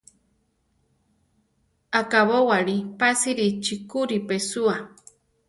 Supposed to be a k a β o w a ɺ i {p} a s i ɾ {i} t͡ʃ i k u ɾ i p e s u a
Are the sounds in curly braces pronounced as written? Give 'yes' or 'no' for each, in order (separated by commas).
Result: yes, yes